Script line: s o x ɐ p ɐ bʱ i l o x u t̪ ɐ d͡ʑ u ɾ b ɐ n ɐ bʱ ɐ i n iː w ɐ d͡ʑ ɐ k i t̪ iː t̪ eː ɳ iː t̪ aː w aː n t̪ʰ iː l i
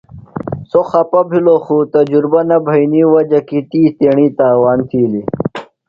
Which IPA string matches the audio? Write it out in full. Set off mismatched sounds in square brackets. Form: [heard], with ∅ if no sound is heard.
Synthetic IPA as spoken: s o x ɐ p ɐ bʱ i l o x u t̪ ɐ d͡ʑ u ɾ b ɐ n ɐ bʱ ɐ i n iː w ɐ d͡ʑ ɐ k i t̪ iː t̪ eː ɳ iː t̪ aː w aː n t̪ʰ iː l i